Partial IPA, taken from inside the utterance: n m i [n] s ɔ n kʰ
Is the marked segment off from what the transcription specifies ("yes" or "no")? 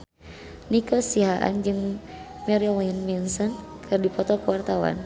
no